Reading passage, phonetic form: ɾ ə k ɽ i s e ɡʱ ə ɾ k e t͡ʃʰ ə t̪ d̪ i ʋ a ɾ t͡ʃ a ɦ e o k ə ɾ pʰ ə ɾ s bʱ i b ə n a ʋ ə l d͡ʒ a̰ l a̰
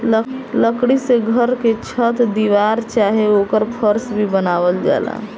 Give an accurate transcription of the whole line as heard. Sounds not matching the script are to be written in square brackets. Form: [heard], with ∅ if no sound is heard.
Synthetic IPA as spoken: [l] ə k ɽ i s e ɡʱ ə ɾ k e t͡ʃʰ ə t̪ d̪ i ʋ a ɾ t͡ʃ a ɦ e o k ə ɾ pʰ ə ɾ s bʱ i b ə n a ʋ ə l d͡ʒ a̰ l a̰